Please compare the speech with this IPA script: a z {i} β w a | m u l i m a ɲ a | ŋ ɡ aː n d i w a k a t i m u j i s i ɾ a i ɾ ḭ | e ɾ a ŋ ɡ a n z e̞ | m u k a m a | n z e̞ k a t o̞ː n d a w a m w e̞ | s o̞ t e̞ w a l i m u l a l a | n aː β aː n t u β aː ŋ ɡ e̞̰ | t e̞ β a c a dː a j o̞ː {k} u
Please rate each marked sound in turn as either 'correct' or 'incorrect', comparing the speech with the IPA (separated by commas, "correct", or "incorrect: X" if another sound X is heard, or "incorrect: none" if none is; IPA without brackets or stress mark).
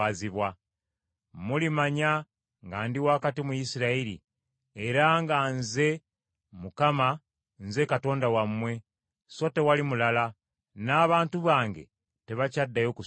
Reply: correct, correct